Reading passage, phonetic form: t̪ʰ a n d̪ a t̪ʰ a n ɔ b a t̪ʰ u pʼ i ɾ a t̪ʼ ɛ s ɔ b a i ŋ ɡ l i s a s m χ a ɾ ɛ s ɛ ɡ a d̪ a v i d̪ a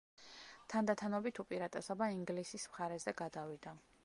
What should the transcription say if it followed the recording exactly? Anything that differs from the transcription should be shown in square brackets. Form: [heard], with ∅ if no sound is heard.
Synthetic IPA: t̪ʰ a n d̪ a t̪ʰ a n ɔ b [i] t̪ʰ u pʼ i ɾ a t̪ʼ ɛ s ɔ b a i ŋ ɡ l i s [i] s m χ a ɾ ɛ [z] ɛ ɡ a d̪ a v i d̪ a